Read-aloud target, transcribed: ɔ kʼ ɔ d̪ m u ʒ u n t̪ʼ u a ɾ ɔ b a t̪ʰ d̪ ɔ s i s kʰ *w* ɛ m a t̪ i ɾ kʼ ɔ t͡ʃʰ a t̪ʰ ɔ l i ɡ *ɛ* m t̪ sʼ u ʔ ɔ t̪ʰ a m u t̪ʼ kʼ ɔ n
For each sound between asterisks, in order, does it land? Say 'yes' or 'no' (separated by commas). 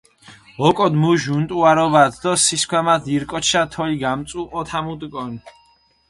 yes, no